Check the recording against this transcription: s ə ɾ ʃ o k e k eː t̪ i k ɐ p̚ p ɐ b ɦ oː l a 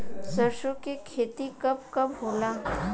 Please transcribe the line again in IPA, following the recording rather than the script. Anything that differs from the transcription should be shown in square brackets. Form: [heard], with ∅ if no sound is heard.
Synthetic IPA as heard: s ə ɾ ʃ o k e [kʰ] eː t̪ i k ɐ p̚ [k] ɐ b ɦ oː l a